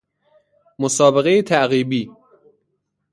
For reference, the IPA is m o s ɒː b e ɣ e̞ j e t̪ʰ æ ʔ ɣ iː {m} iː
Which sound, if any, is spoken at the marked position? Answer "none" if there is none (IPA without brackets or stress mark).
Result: b